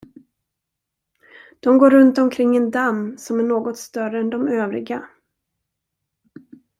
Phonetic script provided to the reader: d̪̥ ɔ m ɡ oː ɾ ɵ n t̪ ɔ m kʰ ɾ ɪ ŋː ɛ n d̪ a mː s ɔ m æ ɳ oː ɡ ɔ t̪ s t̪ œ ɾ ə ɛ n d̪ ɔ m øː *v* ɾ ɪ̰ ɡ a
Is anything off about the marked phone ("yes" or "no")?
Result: no